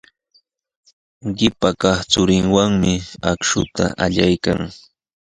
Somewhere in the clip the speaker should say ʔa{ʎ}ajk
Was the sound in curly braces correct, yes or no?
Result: yes